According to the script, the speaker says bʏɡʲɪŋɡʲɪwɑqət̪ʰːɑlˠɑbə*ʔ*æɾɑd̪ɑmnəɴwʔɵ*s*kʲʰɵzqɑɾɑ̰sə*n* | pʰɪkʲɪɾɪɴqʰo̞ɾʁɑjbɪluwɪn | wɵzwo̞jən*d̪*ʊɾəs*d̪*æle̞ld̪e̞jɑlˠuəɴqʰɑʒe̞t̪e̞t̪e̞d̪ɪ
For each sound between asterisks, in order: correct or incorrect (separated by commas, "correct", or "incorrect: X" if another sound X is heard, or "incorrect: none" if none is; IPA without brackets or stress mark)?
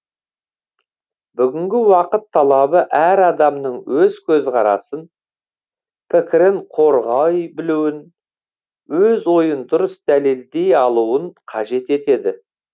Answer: correct, incorrect: z, correct, correct, correct